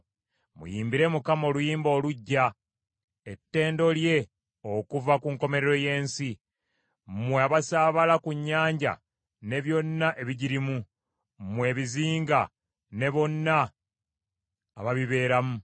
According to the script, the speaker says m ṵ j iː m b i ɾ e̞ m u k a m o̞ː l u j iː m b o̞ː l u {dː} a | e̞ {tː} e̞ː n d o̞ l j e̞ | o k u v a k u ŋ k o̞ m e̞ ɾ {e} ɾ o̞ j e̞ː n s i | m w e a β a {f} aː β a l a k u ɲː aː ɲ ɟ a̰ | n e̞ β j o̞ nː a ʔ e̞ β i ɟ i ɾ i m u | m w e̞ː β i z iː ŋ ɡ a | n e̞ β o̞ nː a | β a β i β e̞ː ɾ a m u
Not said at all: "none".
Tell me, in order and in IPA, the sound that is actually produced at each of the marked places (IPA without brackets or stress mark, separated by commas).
ɟː, tː, e, s